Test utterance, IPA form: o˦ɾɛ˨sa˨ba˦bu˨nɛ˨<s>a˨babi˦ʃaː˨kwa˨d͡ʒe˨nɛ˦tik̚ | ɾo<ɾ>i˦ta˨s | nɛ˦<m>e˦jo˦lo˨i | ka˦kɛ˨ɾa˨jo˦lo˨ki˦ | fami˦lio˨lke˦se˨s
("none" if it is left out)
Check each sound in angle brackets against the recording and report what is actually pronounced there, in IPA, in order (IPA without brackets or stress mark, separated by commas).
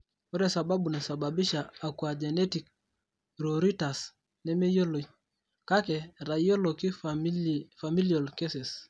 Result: s, ɾ, m